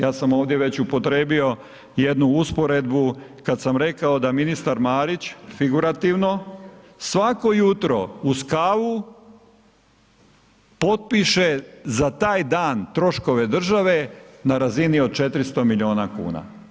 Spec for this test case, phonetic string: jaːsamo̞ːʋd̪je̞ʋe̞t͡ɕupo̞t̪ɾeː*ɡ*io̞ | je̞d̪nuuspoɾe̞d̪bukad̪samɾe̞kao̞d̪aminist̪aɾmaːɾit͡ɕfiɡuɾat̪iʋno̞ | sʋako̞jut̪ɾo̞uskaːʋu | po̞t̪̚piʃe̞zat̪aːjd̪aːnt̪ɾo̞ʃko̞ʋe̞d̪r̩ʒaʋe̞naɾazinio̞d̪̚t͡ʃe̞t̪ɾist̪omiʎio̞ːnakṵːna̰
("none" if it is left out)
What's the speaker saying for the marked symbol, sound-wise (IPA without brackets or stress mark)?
b